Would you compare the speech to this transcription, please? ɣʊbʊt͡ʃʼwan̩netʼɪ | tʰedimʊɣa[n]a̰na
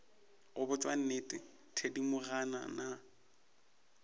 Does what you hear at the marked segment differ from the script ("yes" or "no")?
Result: no